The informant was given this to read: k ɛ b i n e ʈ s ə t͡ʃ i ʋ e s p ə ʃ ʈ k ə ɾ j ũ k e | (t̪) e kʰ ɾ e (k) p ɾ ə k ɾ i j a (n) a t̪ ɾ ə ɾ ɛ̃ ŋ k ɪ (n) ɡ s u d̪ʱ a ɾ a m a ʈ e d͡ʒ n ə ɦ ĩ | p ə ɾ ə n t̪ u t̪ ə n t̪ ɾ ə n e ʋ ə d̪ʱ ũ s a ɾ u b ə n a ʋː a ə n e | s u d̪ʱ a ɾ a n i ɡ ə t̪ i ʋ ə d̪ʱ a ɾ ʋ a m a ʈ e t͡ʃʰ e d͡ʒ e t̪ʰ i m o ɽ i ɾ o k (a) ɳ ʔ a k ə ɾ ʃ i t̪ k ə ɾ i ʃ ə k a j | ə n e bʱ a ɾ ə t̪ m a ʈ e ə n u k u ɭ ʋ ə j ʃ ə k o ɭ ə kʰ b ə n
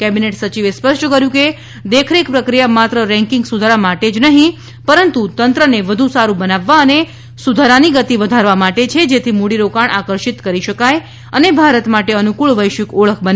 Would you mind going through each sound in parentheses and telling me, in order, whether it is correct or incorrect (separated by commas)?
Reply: incorrect, correct, incorrect, incorrect, correct